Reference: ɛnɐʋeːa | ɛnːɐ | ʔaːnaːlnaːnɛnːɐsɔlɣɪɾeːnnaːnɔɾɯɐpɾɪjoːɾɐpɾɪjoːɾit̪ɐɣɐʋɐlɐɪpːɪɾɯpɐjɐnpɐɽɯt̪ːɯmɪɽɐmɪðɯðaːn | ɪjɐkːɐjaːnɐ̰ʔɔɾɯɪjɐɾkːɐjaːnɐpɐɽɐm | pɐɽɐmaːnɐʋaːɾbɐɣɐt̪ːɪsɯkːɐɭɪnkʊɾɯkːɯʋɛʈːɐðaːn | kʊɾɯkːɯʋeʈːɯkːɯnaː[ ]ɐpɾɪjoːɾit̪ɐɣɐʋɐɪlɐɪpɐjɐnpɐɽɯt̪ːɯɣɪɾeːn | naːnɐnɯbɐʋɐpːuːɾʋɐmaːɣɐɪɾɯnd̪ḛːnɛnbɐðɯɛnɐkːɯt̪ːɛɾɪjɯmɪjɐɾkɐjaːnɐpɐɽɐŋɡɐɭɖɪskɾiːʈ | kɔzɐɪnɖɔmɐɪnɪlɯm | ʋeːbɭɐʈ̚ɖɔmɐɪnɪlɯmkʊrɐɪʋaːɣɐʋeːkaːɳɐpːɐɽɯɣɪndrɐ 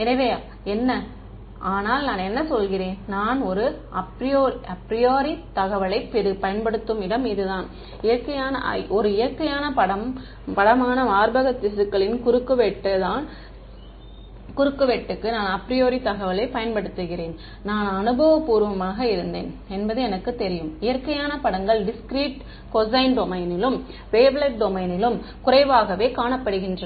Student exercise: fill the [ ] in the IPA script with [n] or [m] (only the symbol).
n